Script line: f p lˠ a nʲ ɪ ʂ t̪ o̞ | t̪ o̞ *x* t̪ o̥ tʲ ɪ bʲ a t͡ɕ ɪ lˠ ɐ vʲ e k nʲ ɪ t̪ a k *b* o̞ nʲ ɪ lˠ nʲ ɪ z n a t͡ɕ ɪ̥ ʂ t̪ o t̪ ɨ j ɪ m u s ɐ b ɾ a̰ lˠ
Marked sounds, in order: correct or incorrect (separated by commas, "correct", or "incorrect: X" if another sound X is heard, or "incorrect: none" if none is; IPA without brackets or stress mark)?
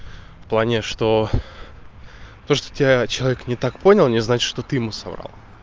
incorrect: ʂ, incorrect: p